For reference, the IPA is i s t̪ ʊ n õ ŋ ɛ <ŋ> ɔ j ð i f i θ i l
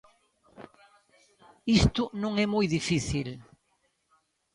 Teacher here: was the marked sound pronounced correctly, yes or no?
no